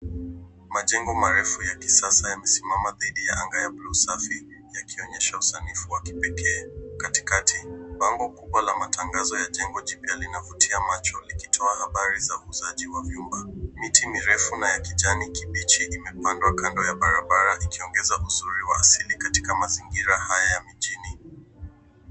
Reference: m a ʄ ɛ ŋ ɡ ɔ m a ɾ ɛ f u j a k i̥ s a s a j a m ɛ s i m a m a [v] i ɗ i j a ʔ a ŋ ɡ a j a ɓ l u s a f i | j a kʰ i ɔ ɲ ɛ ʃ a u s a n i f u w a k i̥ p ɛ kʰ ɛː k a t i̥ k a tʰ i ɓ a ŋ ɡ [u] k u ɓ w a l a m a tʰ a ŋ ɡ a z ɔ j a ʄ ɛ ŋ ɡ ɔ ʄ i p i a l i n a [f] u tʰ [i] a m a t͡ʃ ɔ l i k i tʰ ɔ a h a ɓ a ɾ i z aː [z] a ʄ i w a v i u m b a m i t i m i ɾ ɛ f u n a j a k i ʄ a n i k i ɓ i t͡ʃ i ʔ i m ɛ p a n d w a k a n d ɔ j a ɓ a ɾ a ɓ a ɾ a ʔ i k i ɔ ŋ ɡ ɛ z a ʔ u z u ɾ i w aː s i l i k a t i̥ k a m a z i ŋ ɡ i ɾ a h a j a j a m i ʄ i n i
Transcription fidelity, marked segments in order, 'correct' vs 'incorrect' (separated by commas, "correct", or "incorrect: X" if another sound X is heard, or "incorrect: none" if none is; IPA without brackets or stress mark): incorrect: ð, incorrect: ɔ, incorrect: v, correct, correct